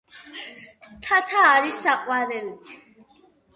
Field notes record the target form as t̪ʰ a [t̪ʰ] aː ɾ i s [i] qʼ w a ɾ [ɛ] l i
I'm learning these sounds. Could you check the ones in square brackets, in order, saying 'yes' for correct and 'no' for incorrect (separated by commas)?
yes, no, yes